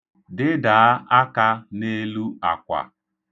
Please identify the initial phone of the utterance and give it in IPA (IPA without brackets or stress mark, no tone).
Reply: d